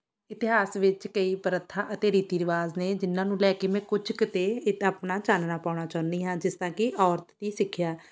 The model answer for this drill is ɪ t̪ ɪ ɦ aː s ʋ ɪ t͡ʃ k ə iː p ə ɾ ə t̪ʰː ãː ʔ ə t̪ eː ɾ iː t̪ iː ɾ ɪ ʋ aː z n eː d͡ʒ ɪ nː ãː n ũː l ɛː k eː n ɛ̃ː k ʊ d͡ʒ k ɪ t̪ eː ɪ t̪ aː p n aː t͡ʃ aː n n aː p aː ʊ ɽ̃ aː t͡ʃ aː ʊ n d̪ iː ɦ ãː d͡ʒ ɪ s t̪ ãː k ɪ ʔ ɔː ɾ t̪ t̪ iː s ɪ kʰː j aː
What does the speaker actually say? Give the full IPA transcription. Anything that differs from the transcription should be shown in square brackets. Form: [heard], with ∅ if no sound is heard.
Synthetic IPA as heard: ɪ t̪ ɪ ɦ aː s ʋ ɪ t͡ʃ k ə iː p ə ɾ ə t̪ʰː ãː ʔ ə t̪ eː ɾ iː t̪ iː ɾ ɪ ʋ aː z n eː d͡ʒ ɪ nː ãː n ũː l ɛː k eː [m] ɛ̃ː k ʊ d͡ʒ k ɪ t̪ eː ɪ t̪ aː p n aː t͡ʃ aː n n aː p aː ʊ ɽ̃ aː t͡ʃ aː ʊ n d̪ iː ɦ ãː d͡ʒ ɪ s t̪ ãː k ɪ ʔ ɔː ɾ t̪ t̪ iː s ɪ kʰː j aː